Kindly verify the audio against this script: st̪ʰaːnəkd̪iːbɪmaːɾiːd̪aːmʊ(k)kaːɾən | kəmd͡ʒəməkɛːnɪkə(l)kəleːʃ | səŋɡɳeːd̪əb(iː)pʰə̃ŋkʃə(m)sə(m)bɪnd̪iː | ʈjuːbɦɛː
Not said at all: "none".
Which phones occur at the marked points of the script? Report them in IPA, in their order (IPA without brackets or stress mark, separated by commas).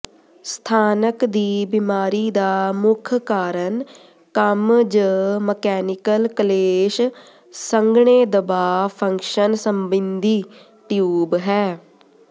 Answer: kʰ, l, aː, n, m